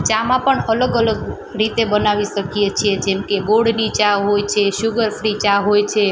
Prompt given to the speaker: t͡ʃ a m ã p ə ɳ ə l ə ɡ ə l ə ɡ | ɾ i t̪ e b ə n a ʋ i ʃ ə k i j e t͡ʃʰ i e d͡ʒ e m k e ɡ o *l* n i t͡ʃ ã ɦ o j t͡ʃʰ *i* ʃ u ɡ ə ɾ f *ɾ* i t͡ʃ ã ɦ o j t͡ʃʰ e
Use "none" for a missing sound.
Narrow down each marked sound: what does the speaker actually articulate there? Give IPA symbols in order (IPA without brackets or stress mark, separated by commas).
ɽ, e, ɾ